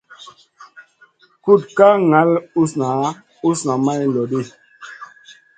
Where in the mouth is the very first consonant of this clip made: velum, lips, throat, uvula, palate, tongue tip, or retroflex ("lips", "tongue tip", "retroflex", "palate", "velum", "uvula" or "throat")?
velum